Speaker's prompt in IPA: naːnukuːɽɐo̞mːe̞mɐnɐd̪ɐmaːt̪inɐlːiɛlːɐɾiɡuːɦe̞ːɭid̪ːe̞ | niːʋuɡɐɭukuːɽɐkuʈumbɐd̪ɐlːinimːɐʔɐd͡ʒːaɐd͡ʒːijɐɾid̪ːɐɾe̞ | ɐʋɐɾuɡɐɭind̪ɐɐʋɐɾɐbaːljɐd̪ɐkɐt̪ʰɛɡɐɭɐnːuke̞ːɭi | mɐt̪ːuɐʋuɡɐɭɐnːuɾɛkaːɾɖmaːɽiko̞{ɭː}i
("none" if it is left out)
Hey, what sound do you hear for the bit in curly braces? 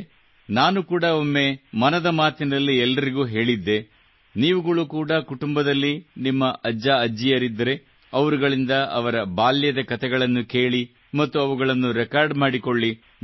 ɭː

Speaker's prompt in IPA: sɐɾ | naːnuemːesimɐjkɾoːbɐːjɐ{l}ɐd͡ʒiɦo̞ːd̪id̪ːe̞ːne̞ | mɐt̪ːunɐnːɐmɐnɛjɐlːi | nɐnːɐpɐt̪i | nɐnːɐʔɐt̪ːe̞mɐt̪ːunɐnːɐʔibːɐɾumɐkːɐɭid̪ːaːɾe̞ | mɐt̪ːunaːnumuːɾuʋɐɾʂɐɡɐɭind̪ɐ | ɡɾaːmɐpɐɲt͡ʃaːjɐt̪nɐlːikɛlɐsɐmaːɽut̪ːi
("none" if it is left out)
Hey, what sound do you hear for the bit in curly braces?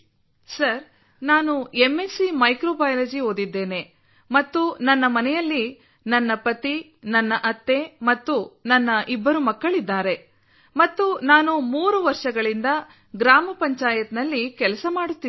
l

